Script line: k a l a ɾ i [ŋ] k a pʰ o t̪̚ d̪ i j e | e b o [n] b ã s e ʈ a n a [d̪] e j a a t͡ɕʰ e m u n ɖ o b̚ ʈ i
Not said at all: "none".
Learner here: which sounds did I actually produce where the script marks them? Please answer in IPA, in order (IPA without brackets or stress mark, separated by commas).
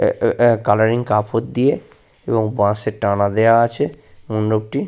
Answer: ŋ, ŋ, d̪